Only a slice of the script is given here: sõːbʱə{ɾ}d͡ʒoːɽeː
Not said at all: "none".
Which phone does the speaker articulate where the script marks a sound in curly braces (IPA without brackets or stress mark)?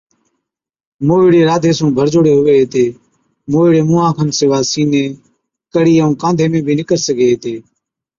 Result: ɾ